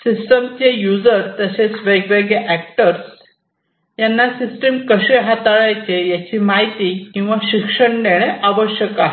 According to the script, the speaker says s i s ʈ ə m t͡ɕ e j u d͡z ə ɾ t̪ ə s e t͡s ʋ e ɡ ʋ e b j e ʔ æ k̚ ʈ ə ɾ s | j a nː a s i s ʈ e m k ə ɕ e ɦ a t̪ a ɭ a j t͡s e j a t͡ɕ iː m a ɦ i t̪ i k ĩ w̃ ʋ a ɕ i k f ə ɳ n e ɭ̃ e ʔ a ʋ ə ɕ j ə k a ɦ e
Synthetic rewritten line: s i s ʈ ə m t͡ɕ e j u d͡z ə ɾ t̪ ə s e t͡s ʋ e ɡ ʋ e ɡ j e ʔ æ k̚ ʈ ə ɾ s | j a nː a s i s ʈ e m k ə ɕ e ɦ a t̪ a ɭ a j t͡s e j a t͡ɕ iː m a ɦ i t̪ i k ĩ w̃ ʋ a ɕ i k ʂ ə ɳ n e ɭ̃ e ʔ a ʋ ə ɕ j ə k a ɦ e